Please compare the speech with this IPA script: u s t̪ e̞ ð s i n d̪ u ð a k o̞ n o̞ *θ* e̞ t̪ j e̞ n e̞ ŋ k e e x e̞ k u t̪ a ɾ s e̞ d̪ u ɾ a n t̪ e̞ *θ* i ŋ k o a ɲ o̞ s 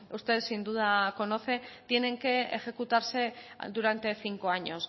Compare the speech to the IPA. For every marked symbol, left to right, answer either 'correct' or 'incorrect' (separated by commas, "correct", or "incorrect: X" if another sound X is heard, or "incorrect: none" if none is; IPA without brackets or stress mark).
correct, correct